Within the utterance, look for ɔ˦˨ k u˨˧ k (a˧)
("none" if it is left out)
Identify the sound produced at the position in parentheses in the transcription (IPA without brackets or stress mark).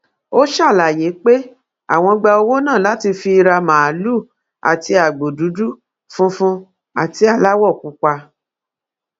a˧